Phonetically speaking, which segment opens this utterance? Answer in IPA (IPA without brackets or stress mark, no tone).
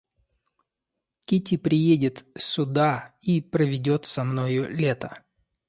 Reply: kʲ